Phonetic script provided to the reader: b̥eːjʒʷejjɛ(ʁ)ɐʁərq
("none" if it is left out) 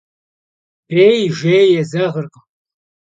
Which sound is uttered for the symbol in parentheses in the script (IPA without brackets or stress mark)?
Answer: z